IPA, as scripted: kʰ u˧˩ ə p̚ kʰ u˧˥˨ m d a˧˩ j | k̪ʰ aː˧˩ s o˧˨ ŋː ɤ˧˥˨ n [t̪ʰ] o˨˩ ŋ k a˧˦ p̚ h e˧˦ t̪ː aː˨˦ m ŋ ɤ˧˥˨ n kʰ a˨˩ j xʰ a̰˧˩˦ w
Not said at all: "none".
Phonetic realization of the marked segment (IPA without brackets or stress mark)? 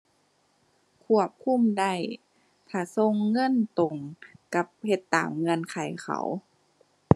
t̪